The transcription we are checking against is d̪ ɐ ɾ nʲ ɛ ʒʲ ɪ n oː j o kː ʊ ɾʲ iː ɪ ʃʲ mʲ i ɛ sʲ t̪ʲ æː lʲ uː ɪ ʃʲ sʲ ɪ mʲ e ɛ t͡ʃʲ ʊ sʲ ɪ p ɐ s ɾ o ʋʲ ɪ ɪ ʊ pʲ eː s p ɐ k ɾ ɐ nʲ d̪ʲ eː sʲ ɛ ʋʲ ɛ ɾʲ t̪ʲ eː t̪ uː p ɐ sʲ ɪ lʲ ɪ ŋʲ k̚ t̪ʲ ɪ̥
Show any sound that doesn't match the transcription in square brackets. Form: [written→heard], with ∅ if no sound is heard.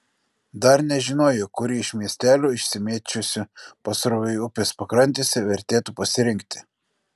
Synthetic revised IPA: d̪ ɐ ɾ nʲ ɛ ʒʲ ɪ n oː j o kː ʊ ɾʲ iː ɪ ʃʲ mʲ i ɛ sʲ t̪ʲ æː lʲ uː ɪ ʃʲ sʲ ɪ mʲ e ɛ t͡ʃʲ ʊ sʲ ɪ p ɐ s ɾ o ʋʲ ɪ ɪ ʊ pʲ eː s p ɐ k ɾ ɐ nʲ [d̪ʲ→t̪ʲ] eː sʲ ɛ ʋʲ ɛ ɾʲ t̪ʲ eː t̪ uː p ɐ sʲ ɪ [lʲ→ɾʲ] ɪ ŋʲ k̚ t̪ʲ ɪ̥